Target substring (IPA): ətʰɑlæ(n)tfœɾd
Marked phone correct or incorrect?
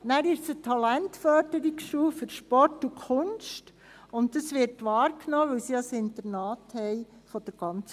correct